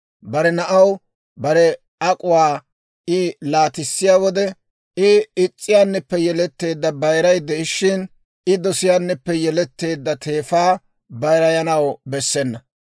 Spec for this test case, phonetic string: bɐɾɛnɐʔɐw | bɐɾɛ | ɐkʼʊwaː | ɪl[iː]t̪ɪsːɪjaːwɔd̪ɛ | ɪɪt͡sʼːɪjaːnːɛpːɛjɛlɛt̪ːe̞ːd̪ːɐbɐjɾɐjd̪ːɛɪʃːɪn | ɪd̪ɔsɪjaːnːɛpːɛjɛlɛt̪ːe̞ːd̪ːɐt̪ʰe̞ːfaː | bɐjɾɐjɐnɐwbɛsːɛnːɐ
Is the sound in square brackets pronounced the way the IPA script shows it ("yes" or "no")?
no